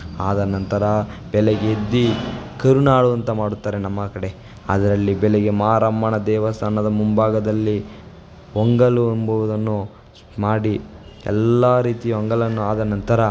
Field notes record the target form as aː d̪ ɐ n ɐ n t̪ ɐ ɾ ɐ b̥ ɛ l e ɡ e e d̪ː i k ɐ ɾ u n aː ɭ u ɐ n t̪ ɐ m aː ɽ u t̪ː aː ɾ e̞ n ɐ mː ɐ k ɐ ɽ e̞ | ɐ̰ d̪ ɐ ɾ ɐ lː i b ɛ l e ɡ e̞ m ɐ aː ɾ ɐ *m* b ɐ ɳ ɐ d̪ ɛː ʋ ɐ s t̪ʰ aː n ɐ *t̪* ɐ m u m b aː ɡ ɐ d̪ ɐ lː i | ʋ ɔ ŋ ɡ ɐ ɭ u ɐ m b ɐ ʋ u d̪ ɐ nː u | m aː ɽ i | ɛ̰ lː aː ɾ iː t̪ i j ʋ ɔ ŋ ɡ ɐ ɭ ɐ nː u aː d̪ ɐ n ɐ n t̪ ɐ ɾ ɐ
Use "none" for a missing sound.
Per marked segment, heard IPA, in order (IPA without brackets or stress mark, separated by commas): m, d̪